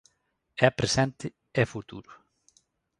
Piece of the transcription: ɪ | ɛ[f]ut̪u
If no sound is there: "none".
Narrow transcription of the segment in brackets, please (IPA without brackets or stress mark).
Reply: f